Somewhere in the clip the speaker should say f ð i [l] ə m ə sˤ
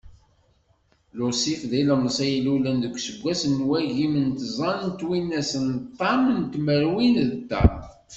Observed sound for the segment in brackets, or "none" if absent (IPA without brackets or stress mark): l